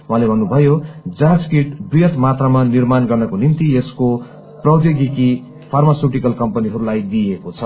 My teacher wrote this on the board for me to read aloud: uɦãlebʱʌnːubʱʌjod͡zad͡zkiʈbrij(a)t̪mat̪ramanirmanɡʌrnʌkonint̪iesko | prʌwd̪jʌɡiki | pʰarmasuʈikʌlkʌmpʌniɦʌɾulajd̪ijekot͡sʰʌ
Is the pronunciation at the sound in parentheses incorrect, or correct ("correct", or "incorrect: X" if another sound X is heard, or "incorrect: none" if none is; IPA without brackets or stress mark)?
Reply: incorrect: ʌ